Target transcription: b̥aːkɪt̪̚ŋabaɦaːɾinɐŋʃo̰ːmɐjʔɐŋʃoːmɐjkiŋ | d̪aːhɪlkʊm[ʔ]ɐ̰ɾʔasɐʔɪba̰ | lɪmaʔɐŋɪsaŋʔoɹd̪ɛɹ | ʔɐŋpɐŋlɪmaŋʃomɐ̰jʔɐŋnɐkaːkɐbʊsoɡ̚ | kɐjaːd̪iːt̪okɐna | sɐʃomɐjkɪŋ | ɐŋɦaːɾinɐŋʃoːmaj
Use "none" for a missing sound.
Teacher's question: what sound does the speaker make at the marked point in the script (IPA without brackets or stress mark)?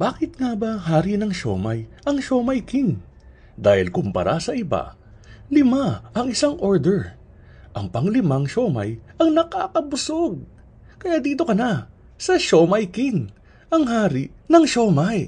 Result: p